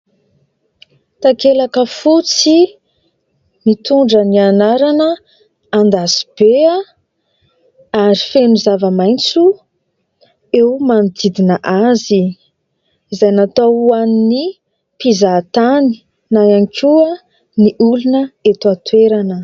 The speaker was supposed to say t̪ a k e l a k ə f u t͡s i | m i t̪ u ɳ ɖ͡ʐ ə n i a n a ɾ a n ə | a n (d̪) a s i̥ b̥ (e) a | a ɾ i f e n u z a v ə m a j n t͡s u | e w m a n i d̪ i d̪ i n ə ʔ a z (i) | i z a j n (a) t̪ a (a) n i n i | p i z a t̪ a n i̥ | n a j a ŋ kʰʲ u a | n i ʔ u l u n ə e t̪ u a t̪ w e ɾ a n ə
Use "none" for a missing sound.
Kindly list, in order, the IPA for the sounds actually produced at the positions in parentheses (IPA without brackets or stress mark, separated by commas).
d̪, e, i, a, a